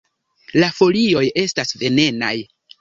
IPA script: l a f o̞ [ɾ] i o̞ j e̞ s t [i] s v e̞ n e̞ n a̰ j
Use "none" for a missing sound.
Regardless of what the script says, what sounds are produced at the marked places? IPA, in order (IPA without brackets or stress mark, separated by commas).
l, a